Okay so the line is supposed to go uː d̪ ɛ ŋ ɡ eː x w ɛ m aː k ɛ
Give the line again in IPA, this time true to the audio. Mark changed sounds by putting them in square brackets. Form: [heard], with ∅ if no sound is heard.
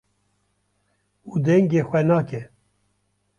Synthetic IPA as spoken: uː d̪ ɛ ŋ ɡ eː x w ɛ [n] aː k ɛ